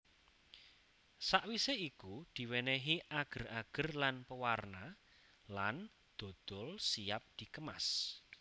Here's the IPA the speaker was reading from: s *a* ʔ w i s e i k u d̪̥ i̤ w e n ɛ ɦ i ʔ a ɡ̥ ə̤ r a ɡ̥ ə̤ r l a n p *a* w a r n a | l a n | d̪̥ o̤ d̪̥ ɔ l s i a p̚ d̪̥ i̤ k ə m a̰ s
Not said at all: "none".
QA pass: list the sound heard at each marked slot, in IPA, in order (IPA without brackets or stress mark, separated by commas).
a, ə